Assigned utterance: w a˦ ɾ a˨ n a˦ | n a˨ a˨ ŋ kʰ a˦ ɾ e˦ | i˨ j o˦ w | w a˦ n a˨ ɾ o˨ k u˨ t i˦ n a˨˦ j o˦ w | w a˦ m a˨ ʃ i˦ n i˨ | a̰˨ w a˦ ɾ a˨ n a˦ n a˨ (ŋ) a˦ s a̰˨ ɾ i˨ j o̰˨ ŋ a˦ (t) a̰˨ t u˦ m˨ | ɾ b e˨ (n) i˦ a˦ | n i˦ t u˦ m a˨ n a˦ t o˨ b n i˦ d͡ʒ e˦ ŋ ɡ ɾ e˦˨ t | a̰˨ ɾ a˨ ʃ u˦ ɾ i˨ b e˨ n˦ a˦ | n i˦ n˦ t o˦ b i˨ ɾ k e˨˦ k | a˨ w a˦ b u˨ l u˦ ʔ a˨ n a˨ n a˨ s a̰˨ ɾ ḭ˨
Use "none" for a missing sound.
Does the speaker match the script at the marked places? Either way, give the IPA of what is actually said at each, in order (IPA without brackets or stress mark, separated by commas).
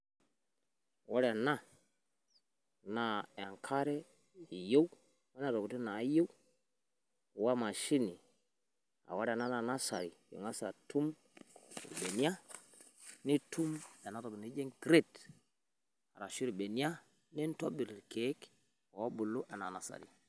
n, s, n